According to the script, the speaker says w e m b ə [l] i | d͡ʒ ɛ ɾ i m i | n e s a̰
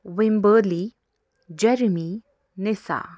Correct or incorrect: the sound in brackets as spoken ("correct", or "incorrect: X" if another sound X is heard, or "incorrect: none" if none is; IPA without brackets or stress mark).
correct